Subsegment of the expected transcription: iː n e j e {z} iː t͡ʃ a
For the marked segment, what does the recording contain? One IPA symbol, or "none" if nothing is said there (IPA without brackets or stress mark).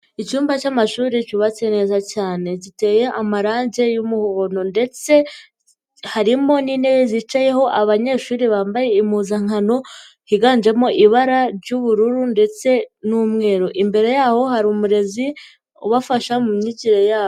z